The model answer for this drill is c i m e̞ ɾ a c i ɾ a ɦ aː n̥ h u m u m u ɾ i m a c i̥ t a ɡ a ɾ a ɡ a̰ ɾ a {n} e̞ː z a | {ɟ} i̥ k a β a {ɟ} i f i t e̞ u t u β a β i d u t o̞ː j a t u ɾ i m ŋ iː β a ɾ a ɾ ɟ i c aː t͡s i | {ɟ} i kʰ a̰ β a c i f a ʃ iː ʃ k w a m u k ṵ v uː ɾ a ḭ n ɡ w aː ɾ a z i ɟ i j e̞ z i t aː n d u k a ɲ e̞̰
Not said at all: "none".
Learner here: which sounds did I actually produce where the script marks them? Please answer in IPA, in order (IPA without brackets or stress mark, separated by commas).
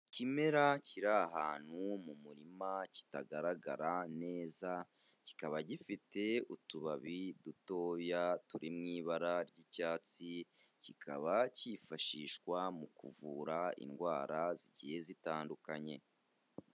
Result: n, c, ɟ, c